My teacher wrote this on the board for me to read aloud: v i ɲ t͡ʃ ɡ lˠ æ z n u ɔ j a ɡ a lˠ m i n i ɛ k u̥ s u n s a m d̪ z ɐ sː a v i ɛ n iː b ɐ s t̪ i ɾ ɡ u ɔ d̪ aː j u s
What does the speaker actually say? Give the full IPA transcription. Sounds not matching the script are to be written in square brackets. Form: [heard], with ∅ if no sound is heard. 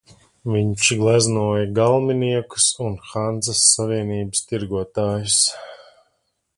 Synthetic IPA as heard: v i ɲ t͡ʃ ɡ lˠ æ z n u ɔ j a ɡ a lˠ m i n i ɛ k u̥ s u n [x] a [n] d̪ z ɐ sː a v i ɛ n iː b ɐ s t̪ i ɾ ɡ u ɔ [t̪] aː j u s

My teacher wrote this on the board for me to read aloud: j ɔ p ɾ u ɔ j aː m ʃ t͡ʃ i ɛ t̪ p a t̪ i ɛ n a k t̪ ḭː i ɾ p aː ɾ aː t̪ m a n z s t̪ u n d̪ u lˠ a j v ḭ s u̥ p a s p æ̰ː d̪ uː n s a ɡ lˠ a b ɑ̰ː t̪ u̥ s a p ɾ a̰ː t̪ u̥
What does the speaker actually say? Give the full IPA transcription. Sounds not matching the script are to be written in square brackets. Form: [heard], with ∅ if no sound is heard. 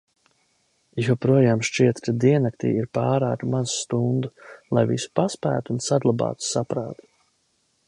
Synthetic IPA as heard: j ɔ p ɾ u ɔ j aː m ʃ t͡ʃ i ɛ t̪ [k] a [d̪] i ɛ n a k t̪ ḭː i ɾ p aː ɾ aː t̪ m a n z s t̪ u n d̪ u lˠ a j v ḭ s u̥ p a s p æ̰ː [t̪] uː n s a ɡ lˠ a b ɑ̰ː t̪ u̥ s a p ɾ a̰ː t̪ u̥

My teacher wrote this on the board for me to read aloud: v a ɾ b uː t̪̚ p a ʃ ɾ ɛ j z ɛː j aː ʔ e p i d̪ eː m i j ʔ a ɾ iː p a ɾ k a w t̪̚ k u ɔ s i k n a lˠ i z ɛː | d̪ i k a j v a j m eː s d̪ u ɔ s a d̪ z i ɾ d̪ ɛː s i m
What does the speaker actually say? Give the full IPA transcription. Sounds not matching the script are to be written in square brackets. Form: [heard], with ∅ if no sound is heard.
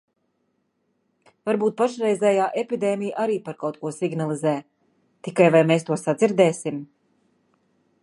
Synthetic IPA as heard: v a ɾ b uː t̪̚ p a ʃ ɾ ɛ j z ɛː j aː ʔ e p i d̪ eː m i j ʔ a ɾ iː p a ɾ k a w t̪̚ k u ɔ s i [ɡ] n a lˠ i z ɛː | [t̪] i k a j v a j m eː s [t̪] u ɔ s a d̪ z i ɾ d̪ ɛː s i m

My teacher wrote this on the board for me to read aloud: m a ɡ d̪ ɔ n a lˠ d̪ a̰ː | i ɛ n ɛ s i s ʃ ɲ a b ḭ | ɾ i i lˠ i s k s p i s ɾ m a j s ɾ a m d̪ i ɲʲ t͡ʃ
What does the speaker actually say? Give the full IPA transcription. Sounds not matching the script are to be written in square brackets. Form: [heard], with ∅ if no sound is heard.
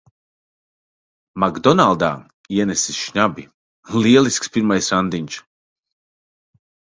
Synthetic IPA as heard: m a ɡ d̪ ɔ n a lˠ d̪ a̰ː | i ɛ n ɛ s i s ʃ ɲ a b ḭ | [l] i [ɛ] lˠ i s k s p i [∅] ɾ m a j s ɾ a [n] d̪ i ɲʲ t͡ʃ

